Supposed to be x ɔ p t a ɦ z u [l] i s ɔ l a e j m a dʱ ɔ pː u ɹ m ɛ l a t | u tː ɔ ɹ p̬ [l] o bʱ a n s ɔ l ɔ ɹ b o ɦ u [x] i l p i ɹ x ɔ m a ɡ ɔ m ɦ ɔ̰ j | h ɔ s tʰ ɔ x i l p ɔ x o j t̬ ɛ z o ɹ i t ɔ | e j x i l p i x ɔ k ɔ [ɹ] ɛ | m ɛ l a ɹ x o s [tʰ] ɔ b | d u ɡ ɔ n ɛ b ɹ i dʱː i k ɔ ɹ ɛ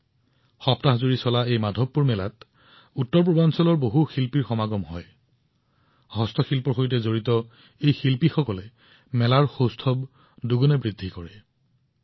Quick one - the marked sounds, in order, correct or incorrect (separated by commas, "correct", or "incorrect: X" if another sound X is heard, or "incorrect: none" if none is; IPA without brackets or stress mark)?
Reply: incorrect: ɹ, incorrect: ɹ, correct, incorrect: l, correct